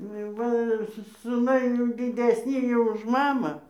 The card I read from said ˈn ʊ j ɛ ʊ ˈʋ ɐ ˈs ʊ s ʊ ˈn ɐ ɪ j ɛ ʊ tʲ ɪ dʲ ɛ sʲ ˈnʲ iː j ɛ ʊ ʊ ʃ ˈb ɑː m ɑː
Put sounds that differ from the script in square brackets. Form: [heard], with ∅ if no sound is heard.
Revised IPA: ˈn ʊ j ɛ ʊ ˈʋ ɐ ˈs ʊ s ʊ ˈn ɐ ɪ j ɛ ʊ [dʲ] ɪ dʲ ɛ sʲ ˈnʲ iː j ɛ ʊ ʊ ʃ [ˈm] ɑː m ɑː